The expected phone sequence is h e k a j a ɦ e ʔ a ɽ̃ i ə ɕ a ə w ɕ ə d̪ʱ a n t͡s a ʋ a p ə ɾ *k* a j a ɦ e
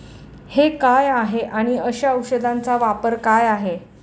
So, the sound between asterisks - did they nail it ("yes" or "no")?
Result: yes